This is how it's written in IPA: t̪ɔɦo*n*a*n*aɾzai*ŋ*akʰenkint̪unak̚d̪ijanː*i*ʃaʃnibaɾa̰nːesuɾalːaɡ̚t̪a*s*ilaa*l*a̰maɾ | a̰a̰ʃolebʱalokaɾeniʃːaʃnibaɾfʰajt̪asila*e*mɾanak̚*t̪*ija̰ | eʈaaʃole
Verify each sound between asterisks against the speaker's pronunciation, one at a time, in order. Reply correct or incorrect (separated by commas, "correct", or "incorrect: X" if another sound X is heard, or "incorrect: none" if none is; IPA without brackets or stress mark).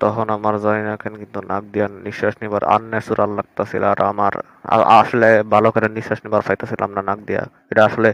correct, incorrect: m, incorrect: n, correct, correct, incorrect: ɾ, incorrect: a, incorrect: d̪